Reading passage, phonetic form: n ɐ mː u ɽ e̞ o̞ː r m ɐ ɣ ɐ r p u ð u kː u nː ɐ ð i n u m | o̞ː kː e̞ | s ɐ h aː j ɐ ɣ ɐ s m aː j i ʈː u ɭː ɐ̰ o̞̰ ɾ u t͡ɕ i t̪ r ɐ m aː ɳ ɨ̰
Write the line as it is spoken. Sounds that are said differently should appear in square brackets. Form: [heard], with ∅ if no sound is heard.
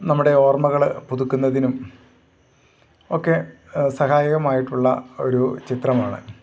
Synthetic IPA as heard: n ɐ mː u ɽ e̞ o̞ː r m ɐ ɣ ɐ [ɭ] p u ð u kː u nː ɐ ð i n u m | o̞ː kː e̞ | s ɐ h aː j ɐ ɣ ɐ [∅] m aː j i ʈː u ɭː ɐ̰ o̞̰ ɾ u t͡ɕ i t̪ r ɐ m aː ɳ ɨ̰